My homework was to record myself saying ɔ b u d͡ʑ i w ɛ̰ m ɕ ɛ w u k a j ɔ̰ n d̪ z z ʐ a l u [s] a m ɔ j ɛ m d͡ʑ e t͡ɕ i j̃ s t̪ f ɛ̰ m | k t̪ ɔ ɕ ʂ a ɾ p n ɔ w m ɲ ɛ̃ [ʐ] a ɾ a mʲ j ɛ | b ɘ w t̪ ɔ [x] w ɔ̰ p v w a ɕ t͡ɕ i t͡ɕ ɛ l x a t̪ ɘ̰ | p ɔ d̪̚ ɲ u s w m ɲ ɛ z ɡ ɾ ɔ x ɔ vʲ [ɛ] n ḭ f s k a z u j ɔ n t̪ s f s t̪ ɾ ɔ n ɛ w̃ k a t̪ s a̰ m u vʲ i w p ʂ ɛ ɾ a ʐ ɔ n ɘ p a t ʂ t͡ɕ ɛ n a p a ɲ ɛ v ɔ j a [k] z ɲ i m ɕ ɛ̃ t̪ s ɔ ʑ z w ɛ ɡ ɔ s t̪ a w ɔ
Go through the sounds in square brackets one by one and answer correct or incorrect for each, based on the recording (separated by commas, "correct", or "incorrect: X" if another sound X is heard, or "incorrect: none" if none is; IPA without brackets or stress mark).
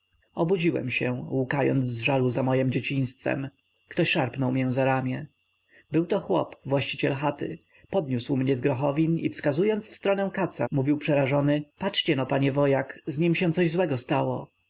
incorrect: z, incorrect: z, correct, incorrect: i, correct